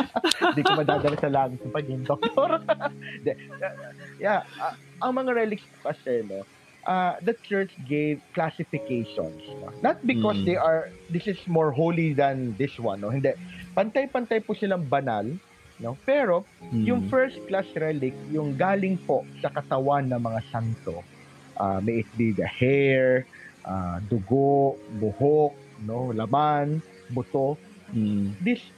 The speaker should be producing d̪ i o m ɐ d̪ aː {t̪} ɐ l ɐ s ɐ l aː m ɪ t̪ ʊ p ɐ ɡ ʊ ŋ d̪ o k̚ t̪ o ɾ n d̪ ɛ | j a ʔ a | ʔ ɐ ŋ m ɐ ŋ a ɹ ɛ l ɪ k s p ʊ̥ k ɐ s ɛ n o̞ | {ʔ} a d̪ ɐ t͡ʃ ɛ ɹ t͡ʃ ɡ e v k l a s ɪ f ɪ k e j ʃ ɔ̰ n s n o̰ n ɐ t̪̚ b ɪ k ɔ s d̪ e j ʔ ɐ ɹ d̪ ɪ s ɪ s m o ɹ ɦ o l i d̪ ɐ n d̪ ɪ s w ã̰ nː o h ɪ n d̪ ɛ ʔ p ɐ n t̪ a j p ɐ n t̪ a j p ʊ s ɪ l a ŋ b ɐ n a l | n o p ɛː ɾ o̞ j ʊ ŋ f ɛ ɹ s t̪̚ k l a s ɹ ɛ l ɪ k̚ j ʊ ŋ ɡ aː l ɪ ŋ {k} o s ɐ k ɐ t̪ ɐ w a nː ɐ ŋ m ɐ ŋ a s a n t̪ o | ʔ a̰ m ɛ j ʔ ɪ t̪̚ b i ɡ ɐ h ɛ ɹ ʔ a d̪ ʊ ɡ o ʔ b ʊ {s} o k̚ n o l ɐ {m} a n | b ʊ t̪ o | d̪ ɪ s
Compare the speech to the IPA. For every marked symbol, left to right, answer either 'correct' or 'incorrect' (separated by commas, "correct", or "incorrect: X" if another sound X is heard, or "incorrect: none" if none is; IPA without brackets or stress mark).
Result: incorrect: d̪, correct, incorrect: p, incorrect: h, correct